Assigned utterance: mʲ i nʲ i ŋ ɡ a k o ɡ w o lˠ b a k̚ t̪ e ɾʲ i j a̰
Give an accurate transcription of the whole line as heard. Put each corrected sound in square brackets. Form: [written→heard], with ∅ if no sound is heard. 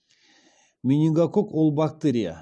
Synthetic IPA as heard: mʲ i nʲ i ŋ ɡ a k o [ɡ→k] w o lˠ b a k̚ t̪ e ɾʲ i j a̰